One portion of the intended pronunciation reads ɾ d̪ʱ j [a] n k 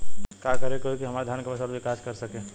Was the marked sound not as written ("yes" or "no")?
no